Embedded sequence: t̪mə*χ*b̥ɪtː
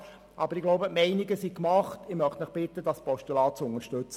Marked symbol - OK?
yes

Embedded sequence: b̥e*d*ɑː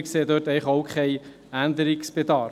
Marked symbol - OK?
yes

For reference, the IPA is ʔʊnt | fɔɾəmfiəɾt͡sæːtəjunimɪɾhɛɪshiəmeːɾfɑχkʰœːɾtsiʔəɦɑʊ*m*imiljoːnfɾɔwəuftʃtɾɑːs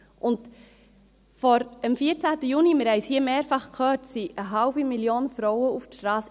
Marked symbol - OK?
no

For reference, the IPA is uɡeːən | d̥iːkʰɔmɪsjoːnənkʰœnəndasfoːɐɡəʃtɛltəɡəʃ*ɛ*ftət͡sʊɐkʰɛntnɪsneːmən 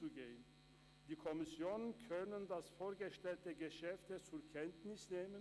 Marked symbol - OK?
yes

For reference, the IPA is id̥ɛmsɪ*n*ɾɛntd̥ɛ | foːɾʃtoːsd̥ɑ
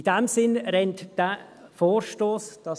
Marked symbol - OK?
yes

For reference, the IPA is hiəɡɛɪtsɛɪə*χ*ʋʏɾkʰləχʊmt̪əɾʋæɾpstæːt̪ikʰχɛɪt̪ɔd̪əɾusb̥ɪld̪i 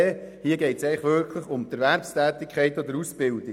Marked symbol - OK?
yes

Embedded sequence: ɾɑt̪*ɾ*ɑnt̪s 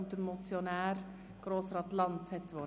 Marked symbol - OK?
no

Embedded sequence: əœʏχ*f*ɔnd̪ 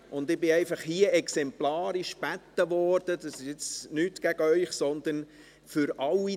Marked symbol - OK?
no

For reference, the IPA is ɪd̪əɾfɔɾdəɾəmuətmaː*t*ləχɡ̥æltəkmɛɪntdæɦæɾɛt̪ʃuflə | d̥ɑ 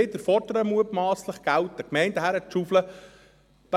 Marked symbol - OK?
no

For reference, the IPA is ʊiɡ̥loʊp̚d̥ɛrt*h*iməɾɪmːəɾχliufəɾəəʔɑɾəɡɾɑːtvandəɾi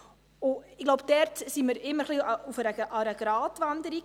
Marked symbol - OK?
no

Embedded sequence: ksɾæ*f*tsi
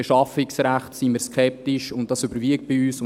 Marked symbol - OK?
no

